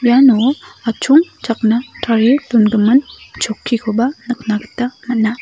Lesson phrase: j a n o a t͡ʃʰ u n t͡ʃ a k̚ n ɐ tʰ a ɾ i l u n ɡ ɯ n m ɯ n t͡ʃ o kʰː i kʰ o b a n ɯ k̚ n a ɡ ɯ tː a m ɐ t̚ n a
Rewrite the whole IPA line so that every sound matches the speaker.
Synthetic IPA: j a n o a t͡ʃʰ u ŋ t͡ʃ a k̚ n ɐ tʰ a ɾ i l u n ɡ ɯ m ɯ n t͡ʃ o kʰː i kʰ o b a n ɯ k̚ n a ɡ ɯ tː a m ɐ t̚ n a